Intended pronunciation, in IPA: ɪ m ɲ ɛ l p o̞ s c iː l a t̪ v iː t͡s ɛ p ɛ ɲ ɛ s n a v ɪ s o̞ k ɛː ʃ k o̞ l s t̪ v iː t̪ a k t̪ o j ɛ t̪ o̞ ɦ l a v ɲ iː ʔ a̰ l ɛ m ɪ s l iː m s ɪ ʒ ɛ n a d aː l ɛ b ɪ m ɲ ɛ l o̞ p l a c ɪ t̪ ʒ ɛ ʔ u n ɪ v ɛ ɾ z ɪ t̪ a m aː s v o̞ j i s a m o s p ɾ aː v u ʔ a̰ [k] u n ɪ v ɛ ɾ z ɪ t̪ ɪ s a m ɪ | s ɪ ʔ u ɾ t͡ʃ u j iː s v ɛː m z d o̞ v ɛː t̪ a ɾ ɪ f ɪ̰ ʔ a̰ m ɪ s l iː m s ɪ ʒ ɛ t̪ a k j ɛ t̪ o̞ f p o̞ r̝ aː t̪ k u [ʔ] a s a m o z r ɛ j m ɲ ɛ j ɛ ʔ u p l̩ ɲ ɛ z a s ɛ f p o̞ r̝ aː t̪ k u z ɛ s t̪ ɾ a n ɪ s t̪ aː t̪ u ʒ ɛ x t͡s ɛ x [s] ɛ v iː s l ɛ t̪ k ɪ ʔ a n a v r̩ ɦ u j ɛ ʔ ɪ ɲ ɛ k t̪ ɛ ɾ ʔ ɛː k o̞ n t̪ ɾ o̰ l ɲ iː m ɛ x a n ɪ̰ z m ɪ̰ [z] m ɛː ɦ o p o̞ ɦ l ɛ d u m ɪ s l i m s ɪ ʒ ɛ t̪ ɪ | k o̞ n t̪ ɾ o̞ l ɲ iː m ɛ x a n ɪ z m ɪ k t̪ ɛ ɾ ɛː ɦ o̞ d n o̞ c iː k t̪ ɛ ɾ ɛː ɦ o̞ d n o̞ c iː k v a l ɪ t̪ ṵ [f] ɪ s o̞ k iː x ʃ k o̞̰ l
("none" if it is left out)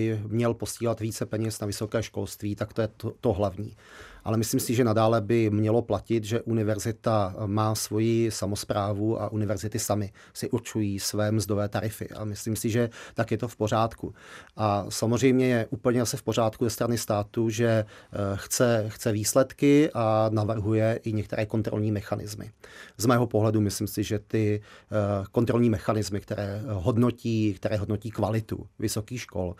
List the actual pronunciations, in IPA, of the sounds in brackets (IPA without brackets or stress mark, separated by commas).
ʔ, ʔ, t͡s, z, v